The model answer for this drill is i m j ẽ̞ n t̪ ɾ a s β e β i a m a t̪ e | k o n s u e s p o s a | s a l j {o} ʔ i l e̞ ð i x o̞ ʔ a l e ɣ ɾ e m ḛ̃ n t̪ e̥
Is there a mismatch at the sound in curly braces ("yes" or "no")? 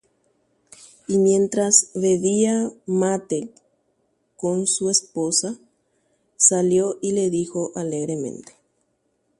no